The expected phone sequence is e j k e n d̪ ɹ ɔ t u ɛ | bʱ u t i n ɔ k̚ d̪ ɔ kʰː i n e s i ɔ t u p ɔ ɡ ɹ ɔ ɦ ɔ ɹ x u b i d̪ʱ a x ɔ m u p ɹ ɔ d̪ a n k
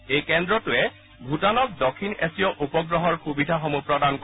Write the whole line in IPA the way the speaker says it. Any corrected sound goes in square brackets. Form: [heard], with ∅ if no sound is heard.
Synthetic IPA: e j k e n d̪ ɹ ɔ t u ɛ | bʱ u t [a] n ɔ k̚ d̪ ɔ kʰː i n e s i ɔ [ʔ] u p ɔ ɡ ɹ ɔ ɦ ɔ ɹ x u b i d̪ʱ a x ɔ m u p ɹ ɔ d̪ a n k